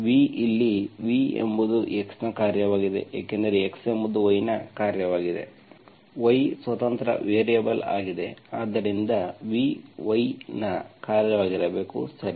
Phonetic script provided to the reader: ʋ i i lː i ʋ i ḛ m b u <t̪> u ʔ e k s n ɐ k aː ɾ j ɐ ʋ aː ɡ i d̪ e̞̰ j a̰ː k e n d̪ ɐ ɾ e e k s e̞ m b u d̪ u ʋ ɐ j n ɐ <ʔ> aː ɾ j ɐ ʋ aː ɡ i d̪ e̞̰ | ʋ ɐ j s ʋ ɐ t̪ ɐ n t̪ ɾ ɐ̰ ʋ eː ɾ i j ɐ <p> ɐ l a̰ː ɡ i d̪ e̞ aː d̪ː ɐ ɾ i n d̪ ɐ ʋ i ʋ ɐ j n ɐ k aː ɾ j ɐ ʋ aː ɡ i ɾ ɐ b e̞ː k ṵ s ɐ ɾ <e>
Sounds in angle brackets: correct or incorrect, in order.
incorrect, incorrect, incorrect, incorrect

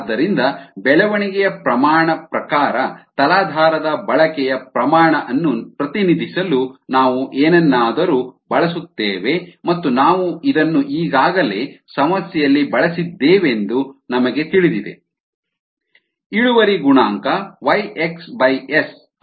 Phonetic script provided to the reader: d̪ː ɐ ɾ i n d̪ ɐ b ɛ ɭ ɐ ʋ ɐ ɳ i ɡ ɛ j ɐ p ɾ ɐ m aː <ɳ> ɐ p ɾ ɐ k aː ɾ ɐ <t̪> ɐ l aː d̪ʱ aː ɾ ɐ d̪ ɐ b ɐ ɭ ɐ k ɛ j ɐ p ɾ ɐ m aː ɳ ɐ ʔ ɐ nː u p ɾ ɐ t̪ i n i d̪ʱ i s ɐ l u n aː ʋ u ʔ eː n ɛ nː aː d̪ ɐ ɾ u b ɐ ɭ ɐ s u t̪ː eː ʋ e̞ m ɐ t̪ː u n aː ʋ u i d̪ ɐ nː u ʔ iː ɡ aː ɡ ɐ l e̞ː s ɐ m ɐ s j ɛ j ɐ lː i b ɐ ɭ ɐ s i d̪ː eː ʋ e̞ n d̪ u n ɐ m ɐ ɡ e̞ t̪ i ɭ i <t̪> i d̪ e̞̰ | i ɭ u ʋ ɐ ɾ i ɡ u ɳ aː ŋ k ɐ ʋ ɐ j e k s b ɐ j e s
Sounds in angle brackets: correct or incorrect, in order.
correct, correct, incorrect

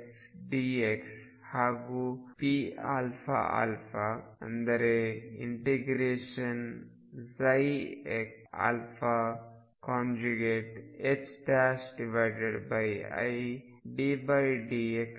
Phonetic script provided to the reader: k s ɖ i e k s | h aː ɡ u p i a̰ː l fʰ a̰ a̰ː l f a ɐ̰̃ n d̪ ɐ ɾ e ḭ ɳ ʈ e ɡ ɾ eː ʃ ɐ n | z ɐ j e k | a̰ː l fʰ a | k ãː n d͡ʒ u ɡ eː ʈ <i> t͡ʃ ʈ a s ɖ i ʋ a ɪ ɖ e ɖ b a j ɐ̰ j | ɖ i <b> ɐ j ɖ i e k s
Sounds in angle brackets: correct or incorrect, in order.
incorrect, correct

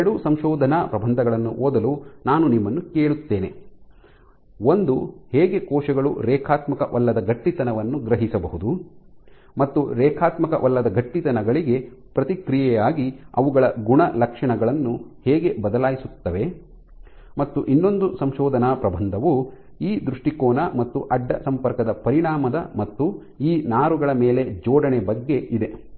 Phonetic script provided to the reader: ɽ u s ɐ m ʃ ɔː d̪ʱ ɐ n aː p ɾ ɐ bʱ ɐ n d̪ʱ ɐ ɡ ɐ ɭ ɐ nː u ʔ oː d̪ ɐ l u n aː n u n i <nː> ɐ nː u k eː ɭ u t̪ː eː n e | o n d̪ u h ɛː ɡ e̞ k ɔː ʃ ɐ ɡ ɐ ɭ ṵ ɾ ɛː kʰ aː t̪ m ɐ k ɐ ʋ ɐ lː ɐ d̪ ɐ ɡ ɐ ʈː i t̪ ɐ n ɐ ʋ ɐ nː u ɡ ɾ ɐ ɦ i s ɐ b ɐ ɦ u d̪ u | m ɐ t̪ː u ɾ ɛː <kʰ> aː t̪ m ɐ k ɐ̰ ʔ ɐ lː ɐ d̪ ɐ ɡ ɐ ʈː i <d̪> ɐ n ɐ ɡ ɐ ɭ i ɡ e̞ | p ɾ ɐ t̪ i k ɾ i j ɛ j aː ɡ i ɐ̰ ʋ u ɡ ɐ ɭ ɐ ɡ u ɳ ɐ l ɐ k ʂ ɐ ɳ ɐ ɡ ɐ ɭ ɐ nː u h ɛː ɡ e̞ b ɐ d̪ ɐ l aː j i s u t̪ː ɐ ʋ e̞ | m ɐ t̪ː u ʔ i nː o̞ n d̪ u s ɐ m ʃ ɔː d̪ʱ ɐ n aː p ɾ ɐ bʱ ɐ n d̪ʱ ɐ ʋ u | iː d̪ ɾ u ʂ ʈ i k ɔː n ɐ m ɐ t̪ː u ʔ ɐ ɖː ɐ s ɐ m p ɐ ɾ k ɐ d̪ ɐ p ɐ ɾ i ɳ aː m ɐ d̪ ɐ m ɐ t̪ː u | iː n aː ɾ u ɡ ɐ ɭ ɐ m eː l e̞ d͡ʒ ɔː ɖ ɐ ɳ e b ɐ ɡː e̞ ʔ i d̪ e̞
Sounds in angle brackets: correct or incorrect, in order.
incorrect, correct, incorrect

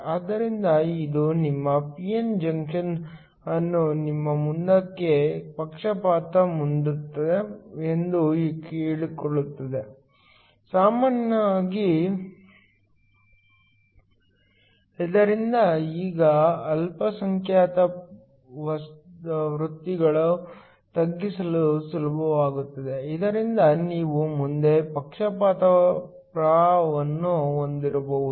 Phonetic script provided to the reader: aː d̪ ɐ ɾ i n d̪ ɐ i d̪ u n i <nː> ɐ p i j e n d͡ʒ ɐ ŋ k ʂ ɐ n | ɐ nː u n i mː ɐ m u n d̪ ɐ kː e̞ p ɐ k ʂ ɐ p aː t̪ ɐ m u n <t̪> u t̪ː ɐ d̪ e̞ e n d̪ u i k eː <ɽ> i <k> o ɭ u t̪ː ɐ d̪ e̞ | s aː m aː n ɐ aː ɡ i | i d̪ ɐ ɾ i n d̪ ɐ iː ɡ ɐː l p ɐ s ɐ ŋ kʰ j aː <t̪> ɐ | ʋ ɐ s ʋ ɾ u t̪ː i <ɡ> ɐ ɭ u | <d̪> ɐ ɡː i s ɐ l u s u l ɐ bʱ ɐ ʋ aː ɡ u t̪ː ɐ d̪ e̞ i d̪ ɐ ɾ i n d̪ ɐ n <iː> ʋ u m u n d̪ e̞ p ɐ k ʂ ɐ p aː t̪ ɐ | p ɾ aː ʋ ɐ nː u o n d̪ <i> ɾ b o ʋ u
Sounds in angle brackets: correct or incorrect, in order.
incorrect, incorrect, incorrect, correct, correct, correct, incorrect, correct, correct

